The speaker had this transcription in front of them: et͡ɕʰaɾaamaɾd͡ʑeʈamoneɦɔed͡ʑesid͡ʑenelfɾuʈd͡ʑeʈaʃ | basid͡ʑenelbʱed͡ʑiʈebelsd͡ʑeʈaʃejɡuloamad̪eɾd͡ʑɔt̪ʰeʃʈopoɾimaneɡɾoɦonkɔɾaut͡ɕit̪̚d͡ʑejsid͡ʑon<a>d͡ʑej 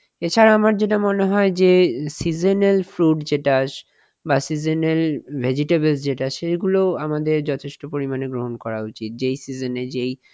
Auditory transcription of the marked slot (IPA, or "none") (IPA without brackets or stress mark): e